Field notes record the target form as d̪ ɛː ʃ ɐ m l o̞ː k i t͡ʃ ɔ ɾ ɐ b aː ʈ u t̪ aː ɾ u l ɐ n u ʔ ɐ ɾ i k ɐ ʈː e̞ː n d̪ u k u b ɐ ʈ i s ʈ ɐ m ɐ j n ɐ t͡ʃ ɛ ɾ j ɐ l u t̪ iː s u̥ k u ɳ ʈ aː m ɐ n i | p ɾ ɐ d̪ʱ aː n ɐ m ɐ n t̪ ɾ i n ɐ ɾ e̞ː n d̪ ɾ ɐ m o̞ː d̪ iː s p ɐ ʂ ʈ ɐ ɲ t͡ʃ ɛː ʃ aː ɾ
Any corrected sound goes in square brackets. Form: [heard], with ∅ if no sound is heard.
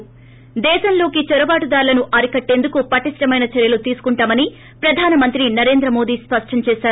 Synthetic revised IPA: d̪ ɛː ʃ ɐ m l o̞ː k i t͡ʃ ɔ ɾ ɐ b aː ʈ u [d̪] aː ɾ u l ɐ n u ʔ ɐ ɾ i k ɐ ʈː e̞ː n d̪ u k u [p] ɐ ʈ i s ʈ ɐ m ɐ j n ɐ t͡ʃ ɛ ɾ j ɐ l u t̪ iː s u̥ k u ɳ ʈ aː m ɐ n i | p ɾ ɐ d̪ʱ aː n ɐ m ɐ n t̪ ɾ i n ɐ ɾ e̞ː n d̪ ɾ ɐ m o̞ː d̪ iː s p ɐ ʂ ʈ ɐ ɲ t͡ʃ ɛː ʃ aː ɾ